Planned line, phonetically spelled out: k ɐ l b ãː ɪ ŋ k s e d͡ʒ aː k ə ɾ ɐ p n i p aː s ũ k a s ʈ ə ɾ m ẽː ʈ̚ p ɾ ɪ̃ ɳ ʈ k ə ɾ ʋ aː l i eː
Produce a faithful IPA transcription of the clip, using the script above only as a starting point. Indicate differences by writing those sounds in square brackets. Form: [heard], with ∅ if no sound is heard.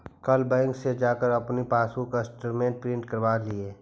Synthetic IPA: k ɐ l b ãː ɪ ŋ k s e d͡ʒ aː k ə ɾ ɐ p n i p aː s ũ k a s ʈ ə ɾ m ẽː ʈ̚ p ɾ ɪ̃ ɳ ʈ k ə ɾ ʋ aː l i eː

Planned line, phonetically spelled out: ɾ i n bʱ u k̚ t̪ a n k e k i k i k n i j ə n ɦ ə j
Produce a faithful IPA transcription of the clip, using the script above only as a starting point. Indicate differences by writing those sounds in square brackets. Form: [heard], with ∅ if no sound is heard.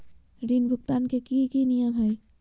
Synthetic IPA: ɾ i n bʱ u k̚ t̪ a n k e k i k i [∅] n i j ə [m] ɦ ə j

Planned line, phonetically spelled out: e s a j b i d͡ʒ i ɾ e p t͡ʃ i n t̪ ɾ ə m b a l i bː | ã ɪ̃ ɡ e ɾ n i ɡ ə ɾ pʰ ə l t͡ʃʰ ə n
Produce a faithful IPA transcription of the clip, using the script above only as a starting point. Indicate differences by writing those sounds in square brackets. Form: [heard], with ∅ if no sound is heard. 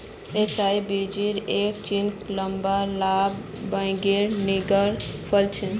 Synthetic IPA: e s a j b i d͡ʒ i ɾ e [k] t͡ʃ i n t̪ [l] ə m b a l [a] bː | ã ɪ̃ ɡ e ɾ n i ɡ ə ɾ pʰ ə l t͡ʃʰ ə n

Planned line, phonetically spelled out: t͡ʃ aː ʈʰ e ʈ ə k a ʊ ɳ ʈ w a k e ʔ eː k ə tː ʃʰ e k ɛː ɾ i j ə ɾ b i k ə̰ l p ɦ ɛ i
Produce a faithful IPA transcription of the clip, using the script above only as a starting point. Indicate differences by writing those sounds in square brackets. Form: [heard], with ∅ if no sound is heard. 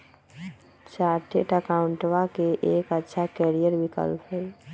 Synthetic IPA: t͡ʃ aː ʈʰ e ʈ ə k a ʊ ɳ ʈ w a k e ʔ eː k ə tː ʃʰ [a] k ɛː ɾ i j ə ɾ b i k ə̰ l p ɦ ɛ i

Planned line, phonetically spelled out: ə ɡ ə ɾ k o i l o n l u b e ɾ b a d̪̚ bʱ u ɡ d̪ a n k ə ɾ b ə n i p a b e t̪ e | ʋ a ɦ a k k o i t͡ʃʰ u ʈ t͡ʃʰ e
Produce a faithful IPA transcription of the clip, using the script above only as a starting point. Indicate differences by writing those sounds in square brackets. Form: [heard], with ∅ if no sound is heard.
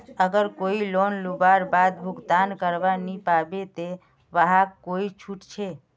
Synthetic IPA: ə ɡ ə ɾ k o i l o n l u b [a] ɾ b a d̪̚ bʱ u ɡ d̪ a n k ə ɾ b [a] n i p a b e t̪ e | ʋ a ɦ a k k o i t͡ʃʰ u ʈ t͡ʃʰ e

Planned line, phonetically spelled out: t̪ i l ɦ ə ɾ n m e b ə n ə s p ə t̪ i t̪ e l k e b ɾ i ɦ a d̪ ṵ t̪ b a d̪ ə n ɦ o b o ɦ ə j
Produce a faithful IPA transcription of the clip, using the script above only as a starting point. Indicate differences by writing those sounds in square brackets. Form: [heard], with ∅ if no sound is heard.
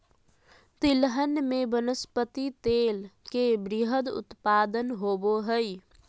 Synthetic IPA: t̪ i l ɦ ə [∅] n m e b ə n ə s p ə t̪ i t̪ e l k e b ɾ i ɦ [ə] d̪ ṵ t̪ [p] a d̪ ə n ɦ o b o ɦ ə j

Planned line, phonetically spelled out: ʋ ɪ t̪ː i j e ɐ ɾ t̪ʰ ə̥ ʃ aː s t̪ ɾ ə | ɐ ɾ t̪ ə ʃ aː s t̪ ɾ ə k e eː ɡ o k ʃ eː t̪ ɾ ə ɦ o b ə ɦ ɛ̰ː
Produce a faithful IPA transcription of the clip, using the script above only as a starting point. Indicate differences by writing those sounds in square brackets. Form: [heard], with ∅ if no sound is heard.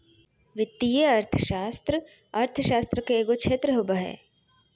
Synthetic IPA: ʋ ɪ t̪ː i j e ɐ ɾ t̪ʰ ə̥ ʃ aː s t̪ ɾ ə | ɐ ɾ [t̪ʰ] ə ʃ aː s t̪ ɾ ə k e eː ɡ o k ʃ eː t̪ ɾ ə ɦ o b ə ɦ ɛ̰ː

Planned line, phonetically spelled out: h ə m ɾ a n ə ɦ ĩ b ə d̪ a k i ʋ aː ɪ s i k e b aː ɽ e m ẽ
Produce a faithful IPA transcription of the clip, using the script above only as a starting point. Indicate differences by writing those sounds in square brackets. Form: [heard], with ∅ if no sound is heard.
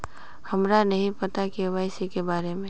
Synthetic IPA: h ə m ɾ a n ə ɦ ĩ [p] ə [t̪] a k i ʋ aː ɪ s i k e b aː [ɾ] e m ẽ

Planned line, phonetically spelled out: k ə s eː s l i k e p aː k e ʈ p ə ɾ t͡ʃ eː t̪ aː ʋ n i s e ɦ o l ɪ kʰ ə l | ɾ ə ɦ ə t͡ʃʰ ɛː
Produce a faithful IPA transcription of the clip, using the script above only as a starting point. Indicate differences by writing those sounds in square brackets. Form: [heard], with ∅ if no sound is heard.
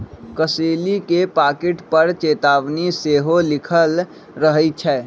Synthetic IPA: k ə s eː [∅] l i k e p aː k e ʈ p ə ɾ t͡ʃ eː t̪ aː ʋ n i s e ɦ o l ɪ kʰ ə l | ɾ ə ɦ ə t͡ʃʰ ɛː

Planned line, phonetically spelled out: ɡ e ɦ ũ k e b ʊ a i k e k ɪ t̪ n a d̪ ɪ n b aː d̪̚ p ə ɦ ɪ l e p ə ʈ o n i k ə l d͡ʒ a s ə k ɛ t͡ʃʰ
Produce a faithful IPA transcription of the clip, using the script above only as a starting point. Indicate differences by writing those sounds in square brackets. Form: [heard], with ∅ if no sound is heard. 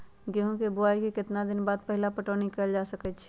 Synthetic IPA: ɡ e ɦ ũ k e b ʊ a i k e k ɪ t̪ n a d̪ ɪ n b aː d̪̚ p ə ɦ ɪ l [a] p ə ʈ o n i k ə l d͡ʒ a s ə k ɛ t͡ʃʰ

